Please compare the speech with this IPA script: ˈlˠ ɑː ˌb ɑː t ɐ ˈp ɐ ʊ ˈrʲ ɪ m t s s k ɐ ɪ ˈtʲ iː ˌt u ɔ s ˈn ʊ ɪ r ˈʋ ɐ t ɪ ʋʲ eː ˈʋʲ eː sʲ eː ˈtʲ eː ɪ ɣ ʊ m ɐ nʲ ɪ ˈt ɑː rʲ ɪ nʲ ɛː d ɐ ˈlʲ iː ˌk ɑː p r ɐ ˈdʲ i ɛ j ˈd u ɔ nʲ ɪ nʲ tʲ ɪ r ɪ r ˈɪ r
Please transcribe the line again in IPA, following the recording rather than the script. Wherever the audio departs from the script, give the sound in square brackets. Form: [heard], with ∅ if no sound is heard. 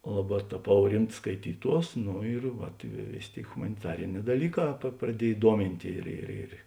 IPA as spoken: ˈlˠ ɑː ˌb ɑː t ɐ ˈp ɐ ʊ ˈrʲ ɪ m t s s k ɐ ɪ ˈtʲ iː ˌt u ɔ s ˈn ʊ ɪ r ˈʋ ɐ t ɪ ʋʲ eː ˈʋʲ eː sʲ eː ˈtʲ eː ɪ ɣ ʊ m ɐ nʲ ɪ ˈt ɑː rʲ ɪ nʲ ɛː d ɐ ˈlʲ iː ˌk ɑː p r ɐ ˈdʲ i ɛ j ˈd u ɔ [mʲ] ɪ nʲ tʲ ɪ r ɪ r ˈɪ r